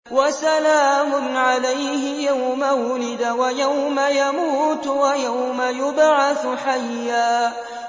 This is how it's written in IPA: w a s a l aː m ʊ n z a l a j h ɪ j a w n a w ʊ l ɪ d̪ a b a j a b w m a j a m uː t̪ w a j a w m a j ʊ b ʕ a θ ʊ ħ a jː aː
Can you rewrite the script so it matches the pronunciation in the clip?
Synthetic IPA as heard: w a s a l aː m ʊ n ʕ a l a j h ɪ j a w m a w ʊ l ɪ d̪ a w a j a w m a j a m uː t̪ w a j a w m a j ʊ b ʕ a θ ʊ ħ a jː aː

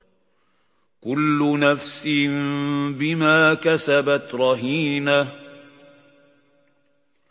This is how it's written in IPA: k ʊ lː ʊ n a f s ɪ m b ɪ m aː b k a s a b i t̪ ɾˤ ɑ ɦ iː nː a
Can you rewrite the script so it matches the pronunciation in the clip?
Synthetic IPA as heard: k ʊ lː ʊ n a f s ɪ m b ɪ m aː k a s a b a t̪ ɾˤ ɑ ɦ iː n a

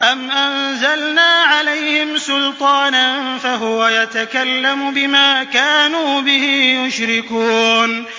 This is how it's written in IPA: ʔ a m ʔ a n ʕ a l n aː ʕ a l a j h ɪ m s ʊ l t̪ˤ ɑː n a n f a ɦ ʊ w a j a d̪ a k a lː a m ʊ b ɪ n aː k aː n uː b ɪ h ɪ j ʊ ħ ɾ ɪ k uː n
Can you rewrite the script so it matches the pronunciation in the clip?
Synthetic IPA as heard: ʔ a m ʔ a n z a l n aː ʕ a l a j h ɪ m s ʊ l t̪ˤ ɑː n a n f a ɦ ʊ w a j a t̪ a k a lː a m ʊ b ɪ m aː k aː n uː b ɪ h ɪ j ʊ ʃ ɾ ɪ k uː n

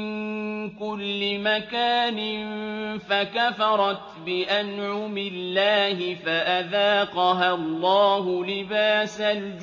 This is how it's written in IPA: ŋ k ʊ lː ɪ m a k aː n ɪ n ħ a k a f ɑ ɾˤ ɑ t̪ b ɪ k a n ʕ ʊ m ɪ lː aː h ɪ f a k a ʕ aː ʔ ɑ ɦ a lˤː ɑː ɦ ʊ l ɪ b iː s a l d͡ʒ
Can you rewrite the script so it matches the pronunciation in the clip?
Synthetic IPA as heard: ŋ k ʊ lː ɪ m a k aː n ɪ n f a k a f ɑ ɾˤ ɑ t̪ b ɪ ʔ a n ʕ ʊ m ɪ lː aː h ɪ f a ʔ a ð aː q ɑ ɦ a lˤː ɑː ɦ ʊ l ɪ b aː s a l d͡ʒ

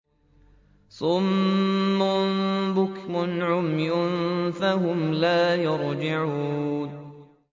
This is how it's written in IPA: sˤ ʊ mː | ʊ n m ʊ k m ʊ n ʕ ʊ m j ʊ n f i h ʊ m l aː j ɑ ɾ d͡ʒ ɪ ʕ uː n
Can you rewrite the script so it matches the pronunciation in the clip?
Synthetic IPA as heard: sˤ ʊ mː | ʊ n b ʊ k m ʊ n ʕ ʊ m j ʊ n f a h ʊ m l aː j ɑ ɾ d͡ʒ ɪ ʕ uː n

